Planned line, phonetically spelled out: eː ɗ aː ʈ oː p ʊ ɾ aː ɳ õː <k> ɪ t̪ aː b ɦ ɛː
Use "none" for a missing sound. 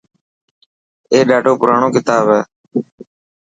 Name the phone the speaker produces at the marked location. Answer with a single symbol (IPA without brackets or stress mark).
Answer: k